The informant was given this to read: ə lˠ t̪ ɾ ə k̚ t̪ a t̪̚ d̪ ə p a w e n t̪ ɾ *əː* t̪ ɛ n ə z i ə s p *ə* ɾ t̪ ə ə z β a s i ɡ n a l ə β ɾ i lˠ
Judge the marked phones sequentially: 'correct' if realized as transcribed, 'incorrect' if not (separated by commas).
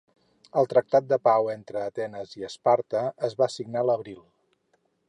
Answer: correct, incorrect